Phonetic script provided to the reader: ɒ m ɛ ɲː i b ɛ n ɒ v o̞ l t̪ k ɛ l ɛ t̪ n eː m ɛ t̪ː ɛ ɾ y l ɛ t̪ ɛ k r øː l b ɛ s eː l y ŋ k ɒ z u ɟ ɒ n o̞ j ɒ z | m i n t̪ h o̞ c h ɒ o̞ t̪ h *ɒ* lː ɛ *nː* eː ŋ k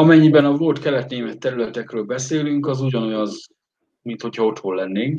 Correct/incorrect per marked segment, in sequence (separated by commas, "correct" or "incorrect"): incorrect, correct